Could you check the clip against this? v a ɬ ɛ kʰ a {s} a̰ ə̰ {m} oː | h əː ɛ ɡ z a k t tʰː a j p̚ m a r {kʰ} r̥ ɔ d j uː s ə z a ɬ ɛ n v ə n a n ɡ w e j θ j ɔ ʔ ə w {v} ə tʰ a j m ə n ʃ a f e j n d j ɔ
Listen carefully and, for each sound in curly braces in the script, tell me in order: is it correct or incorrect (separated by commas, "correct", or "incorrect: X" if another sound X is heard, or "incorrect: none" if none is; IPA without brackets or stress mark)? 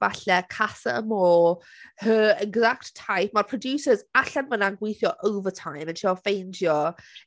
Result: correct, correct, incorrect: pʰ, correct